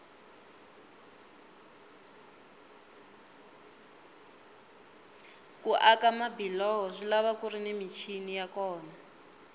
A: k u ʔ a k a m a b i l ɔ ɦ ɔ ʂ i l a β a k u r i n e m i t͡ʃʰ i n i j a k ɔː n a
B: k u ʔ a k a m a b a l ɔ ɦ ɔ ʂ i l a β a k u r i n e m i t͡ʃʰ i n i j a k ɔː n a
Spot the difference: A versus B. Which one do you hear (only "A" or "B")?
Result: A